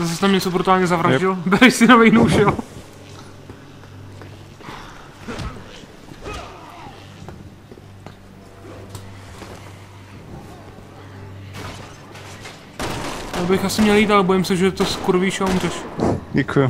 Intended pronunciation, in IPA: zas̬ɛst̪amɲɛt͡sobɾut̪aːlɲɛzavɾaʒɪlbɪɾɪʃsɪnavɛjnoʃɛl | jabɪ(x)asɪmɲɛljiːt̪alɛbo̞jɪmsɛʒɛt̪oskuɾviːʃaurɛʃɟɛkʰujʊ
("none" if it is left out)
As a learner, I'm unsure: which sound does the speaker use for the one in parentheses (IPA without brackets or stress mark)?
x